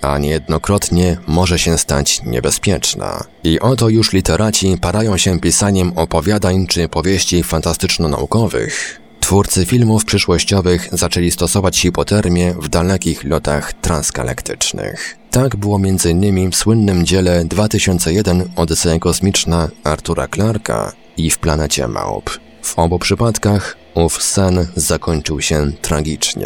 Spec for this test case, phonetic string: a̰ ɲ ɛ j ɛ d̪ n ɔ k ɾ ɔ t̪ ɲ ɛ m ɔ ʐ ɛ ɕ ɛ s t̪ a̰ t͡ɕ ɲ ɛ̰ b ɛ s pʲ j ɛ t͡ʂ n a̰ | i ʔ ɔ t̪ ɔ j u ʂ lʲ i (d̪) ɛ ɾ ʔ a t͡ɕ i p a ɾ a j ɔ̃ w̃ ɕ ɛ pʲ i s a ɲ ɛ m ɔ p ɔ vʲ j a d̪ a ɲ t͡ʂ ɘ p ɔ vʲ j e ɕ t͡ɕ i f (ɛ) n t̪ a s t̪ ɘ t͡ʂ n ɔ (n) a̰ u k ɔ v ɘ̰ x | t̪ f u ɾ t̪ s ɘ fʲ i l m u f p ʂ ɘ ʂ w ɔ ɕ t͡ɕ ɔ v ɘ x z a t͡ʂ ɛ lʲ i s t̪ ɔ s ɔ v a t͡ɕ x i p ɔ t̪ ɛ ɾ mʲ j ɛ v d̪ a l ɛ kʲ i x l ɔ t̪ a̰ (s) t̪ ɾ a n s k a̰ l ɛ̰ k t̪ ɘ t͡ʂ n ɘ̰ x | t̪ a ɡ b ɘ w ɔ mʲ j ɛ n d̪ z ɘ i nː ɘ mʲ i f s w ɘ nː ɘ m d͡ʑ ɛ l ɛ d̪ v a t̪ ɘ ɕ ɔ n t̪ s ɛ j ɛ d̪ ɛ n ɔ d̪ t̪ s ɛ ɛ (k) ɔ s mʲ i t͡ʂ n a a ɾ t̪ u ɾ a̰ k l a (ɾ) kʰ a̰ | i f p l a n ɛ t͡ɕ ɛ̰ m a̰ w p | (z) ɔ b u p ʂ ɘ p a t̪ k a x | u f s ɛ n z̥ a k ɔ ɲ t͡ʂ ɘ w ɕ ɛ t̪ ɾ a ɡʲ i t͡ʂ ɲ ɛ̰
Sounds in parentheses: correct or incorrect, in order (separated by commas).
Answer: incorrect, incorrect, correct, incorrect, correct, correct, incorrect